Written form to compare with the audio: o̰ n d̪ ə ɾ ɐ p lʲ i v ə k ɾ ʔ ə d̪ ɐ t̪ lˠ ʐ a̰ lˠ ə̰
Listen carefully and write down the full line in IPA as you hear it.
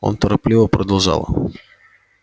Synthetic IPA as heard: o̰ n t̪ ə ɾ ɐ p lʲ i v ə p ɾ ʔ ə d̪ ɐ lˠ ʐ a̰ lˠ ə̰